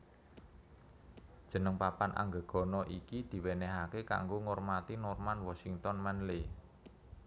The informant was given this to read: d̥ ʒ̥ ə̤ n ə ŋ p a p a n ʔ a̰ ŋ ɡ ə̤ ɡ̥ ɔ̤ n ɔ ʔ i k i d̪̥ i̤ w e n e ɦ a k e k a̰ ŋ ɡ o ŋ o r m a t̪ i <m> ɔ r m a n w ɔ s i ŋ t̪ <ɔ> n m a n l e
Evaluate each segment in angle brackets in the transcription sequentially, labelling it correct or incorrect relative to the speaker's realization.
incorrect: n, correct

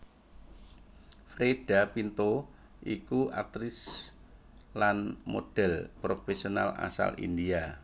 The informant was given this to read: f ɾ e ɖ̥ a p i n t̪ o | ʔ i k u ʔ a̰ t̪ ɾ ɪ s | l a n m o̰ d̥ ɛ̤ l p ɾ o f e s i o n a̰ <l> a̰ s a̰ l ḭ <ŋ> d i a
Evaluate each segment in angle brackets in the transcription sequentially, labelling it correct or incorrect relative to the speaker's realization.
correct, incorrect: n

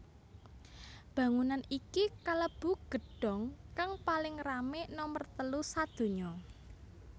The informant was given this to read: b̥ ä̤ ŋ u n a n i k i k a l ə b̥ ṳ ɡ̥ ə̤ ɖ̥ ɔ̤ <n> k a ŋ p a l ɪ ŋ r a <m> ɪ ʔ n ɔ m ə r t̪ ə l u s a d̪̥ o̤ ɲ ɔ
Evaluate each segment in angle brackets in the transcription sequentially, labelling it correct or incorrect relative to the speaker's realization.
incorrect: ŋ, correct

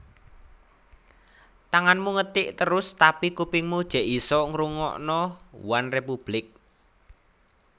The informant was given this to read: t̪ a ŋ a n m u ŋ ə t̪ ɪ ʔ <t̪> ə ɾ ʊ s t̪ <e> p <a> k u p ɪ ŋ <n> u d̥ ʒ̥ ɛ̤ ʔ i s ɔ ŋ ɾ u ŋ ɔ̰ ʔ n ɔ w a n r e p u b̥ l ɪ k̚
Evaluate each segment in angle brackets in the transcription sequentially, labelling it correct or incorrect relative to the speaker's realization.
correct, incorrect: a, incorrect: i, incorrect: m

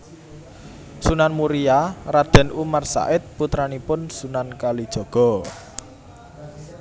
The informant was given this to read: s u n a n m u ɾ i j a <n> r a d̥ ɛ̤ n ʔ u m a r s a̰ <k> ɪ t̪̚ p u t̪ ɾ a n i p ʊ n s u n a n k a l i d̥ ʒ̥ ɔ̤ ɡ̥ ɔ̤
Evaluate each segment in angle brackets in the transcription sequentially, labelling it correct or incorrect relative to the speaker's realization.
incorrect: none, incorrect: ʔ

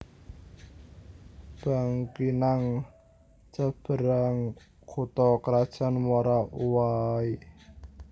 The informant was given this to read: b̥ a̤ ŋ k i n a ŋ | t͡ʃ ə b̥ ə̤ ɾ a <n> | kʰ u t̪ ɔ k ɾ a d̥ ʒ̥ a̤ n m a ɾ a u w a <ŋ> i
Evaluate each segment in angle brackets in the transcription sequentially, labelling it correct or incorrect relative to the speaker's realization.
incorrect: ŋ, incorrect: none

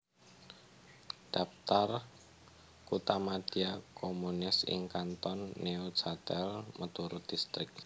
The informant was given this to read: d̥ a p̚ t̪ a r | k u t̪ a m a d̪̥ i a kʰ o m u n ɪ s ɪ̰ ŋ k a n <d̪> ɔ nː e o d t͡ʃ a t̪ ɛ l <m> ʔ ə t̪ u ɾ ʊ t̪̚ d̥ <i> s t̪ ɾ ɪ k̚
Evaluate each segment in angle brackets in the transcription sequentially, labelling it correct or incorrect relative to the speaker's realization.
incorrect: t̪, correct, correct

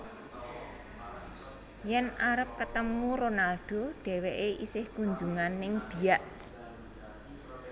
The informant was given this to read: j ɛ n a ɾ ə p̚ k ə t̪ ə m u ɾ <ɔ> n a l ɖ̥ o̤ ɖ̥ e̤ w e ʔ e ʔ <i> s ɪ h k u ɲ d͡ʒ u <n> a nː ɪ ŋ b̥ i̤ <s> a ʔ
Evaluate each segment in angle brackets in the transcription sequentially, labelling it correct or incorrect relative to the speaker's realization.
incorrect: o, correct, incorrect: ŋ, incorrect: none

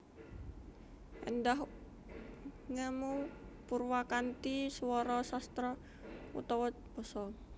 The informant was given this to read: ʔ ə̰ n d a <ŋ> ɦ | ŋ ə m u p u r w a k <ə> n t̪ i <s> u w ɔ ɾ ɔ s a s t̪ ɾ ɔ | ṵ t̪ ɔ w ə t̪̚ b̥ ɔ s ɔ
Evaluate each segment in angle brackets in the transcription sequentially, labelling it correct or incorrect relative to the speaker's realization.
incorrect: none, incorrect: a, correct

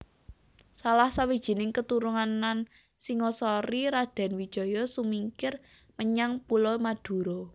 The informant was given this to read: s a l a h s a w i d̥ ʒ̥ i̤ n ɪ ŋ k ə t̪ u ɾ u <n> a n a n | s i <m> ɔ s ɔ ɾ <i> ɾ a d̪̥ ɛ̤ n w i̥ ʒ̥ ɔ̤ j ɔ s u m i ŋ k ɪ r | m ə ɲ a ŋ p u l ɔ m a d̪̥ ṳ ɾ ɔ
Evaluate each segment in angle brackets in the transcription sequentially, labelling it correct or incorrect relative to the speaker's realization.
incorrect: ŋ, incorrect: ŋ, correct

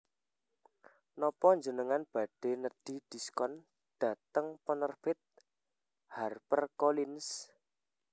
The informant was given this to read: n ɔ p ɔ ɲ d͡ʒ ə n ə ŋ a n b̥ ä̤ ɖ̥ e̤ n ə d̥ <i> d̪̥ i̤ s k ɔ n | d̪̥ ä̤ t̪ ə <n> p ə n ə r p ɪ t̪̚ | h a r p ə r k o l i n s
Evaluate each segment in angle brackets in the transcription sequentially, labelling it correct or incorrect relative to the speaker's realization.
correct, incorrect: ŋ

